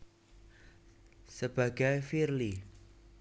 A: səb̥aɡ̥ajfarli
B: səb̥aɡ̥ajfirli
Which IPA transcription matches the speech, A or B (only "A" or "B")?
B